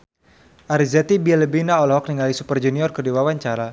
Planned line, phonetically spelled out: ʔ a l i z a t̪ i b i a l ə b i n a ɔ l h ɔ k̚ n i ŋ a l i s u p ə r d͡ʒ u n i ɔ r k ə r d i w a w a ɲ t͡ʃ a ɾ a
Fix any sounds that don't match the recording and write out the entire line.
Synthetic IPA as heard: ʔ a ɾ i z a t̪ i b i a l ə b i n a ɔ l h ɔ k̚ n i ŋ a l i s u p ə r d͡ʒ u n i ɔ r k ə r d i w a w a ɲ t͡ʃ a ɾ a